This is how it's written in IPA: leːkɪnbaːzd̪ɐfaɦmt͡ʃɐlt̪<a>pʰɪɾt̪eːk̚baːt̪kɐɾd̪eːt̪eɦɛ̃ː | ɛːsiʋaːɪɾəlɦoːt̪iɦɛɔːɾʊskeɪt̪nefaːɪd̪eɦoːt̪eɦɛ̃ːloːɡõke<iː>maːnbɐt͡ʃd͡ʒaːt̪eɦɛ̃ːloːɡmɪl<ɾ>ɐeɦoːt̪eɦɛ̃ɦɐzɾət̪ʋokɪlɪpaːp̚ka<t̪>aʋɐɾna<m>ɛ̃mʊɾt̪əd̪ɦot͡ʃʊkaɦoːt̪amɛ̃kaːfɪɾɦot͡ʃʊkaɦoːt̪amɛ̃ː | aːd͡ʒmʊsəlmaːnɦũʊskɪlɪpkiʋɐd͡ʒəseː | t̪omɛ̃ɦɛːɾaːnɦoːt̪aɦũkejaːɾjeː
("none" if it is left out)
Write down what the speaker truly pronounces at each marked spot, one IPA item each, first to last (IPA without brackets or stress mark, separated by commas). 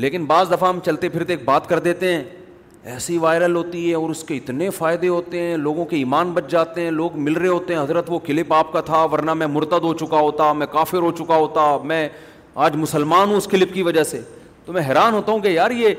e, iː, ɾ, t̪ʰ, m